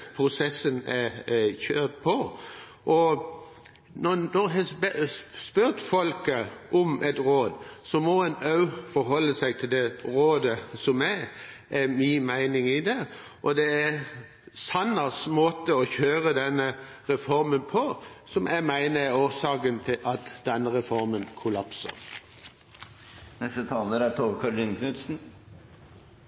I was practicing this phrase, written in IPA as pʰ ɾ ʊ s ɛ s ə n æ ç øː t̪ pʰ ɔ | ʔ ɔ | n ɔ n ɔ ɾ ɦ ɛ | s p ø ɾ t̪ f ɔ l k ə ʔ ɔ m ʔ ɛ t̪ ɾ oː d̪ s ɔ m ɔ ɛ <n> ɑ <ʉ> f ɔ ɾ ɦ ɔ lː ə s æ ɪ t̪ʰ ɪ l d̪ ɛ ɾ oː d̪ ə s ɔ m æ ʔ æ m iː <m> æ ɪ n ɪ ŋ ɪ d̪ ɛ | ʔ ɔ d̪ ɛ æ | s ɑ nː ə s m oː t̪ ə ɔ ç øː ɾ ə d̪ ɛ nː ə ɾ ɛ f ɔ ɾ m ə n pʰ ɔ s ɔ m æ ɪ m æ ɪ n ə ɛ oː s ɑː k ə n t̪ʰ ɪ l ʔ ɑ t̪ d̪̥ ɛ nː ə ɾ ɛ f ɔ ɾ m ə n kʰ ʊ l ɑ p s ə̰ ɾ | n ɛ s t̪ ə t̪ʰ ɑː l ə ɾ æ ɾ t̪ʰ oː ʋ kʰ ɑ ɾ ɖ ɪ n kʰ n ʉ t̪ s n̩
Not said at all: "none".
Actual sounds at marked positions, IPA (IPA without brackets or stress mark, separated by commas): n, ʉ, m